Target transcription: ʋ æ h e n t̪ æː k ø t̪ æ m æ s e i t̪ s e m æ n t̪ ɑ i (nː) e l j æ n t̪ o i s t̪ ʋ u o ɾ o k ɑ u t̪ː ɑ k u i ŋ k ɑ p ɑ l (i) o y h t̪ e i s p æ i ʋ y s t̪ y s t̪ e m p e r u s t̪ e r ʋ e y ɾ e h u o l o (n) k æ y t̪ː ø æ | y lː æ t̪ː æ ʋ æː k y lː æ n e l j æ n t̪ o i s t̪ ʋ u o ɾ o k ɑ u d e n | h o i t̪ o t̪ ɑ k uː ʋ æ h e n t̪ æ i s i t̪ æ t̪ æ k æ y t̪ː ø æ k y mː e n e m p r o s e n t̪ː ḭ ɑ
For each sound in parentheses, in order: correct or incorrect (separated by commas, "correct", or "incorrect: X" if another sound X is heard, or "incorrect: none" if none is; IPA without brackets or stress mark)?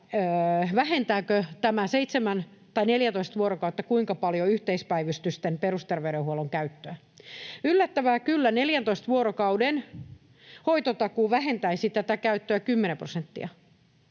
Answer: incorrect: n, incorrect: j, incorrect: ŋ